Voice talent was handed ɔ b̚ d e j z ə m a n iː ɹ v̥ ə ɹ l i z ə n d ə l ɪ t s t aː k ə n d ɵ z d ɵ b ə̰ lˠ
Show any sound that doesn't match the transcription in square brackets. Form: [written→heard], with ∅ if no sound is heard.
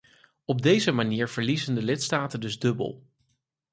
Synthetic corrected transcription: ɔ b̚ d e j z ə m a n iː ɹ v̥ ə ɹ l i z ə n d ə l ɪ t s t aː [k→t] ə n d ɵ z d ɵ b ə̰ lˠ